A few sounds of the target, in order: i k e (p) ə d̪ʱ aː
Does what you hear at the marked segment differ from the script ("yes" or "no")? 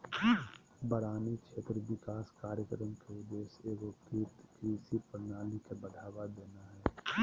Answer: yes